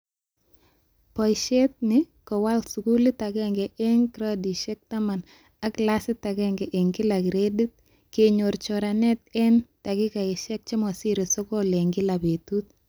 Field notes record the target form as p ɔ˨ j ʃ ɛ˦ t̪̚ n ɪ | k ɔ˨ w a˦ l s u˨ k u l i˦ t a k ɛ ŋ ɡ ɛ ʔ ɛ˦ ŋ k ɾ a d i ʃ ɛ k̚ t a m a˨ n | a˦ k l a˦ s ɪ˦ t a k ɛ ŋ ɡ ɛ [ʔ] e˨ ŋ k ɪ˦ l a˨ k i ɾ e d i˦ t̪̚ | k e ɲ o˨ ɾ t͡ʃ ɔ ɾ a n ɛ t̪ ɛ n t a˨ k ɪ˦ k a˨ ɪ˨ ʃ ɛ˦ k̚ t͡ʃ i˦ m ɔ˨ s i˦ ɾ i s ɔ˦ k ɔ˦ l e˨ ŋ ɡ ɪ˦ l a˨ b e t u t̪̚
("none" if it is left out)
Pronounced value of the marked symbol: ʔ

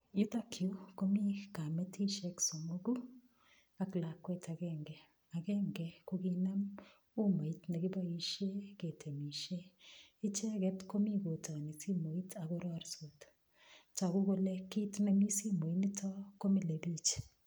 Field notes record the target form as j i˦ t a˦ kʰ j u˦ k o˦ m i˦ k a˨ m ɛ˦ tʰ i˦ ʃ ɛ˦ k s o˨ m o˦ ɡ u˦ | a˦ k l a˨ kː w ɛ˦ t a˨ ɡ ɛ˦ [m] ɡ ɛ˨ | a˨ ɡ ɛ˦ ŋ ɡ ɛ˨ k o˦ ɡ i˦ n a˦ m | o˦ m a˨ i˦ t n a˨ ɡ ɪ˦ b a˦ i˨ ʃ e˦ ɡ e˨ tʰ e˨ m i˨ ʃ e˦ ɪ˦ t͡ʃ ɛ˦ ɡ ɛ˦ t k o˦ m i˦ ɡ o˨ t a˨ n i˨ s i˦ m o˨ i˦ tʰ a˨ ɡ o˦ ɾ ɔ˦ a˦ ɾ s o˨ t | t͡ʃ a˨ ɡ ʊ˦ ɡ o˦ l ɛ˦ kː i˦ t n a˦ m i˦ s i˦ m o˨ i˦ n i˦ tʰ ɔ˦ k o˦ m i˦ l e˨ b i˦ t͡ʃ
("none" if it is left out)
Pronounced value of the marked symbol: ŋ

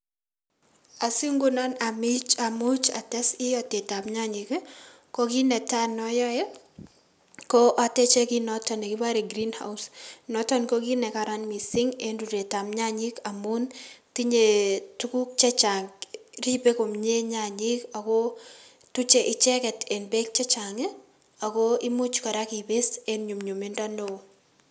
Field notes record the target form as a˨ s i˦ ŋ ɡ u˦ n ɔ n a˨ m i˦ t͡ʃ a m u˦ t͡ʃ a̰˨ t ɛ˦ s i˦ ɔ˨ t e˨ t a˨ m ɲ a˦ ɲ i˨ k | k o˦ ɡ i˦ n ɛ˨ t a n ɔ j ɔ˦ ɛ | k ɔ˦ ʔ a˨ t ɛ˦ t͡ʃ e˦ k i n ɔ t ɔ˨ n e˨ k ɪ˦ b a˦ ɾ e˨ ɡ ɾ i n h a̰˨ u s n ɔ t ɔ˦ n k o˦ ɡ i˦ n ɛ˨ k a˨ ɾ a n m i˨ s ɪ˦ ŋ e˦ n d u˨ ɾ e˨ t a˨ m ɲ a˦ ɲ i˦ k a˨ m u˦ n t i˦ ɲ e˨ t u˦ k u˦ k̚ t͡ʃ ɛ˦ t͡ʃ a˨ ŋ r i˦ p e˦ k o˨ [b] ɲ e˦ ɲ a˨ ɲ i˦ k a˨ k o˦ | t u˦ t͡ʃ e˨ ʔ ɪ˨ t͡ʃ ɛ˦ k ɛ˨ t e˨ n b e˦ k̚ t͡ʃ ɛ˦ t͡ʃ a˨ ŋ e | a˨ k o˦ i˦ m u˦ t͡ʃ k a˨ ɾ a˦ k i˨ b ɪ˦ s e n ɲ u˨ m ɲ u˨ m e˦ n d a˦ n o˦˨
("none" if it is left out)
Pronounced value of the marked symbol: m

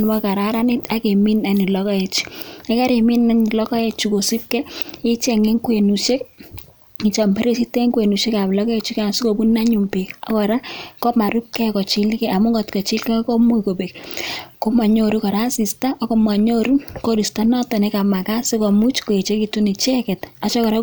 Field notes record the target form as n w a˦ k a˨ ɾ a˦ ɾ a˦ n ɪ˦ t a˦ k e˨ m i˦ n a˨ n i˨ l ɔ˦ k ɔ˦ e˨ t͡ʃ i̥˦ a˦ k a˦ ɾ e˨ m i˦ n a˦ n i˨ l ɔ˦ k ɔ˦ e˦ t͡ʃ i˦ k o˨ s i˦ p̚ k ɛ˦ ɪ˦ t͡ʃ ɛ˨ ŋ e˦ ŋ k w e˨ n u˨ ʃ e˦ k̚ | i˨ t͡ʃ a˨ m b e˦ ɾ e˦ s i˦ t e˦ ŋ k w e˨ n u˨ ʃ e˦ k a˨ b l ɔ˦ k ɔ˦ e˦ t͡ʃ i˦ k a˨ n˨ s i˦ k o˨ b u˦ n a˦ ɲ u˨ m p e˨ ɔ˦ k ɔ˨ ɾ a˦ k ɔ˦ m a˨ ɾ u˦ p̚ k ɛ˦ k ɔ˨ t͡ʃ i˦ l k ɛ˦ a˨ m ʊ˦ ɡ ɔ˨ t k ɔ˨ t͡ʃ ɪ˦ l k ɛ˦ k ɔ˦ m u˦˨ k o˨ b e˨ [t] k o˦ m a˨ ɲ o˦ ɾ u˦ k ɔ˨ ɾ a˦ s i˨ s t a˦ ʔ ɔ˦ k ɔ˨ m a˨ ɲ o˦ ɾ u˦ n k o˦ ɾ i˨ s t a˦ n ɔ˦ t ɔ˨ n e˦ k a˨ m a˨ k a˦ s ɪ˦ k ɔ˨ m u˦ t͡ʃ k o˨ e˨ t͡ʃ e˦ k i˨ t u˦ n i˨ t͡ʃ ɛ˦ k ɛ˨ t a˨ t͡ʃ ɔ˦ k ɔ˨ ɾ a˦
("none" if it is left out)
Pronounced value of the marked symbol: k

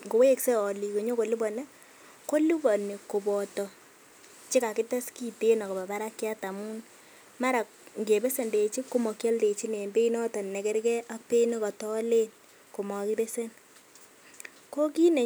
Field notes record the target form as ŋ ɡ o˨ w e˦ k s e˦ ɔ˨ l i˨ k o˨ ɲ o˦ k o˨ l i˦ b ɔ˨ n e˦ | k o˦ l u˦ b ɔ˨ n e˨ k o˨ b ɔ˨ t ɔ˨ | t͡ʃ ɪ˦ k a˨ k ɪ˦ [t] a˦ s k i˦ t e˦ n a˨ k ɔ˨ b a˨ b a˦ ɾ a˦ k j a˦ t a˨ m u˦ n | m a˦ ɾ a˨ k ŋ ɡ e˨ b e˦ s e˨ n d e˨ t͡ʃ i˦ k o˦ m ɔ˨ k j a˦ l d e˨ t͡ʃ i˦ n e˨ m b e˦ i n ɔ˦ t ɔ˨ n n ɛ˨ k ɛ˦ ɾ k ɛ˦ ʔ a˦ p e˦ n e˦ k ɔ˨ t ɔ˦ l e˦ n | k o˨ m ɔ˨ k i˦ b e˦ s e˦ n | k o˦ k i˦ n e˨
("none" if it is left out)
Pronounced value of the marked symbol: t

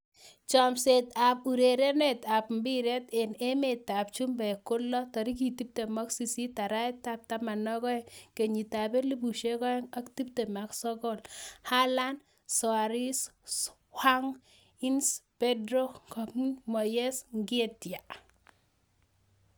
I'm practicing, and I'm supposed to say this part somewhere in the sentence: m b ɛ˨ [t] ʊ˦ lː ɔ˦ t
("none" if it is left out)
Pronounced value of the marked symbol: k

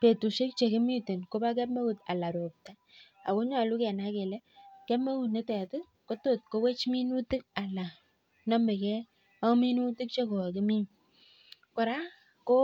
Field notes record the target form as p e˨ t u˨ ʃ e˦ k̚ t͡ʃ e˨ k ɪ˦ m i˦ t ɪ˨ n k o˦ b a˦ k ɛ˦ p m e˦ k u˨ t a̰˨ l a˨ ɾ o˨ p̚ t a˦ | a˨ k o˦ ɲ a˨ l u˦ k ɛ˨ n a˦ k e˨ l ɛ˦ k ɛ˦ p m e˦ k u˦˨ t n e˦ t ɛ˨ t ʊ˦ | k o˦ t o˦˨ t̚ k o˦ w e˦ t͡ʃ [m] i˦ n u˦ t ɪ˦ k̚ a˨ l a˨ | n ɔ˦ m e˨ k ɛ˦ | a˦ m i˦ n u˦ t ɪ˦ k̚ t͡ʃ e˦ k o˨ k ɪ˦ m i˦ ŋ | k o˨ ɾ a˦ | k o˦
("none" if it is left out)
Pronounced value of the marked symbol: m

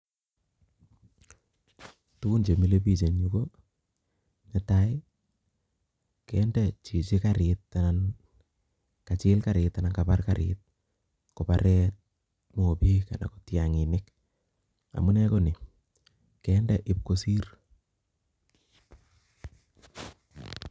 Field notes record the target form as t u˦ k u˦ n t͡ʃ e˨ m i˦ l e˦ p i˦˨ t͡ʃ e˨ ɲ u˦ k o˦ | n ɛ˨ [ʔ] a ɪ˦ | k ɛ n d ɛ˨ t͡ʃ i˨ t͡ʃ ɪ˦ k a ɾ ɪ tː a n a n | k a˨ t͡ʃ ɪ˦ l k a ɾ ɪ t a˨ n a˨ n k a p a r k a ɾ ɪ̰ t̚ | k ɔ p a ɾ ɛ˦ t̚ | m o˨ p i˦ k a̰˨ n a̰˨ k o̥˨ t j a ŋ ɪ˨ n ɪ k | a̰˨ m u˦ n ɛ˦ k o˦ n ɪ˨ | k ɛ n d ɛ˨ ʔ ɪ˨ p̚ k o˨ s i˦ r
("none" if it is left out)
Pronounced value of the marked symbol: t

